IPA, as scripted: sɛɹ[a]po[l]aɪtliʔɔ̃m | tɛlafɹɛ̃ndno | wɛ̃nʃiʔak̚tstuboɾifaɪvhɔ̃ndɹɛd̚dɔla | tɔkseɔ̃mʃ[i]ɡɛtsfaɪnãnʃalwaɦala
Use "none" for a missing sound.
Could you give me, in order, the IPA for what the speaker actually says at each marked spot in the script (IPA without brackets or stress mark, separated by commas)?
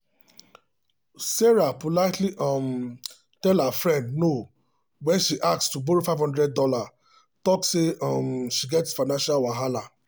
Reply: a, l, i